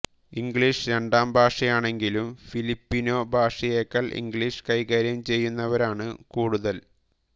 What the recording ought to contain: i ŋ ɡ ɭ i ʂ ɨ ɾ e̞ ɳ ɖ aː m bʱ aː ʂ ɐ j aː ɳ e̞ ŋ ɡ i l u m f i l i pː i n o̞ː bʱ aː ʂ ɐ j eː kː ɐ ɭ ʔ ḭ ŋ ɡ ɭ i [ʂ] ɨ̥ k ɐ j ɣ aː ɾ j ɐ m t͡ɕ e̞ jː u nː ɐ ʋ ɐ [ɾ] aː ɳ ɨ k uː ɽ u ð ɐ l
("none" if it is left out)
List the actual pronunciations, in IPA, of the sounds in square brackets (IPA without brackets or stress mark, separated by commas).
ʂ, ɾ